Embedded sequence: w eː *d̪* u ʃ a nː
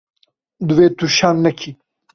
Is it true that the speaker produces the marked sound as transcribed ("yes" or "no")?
no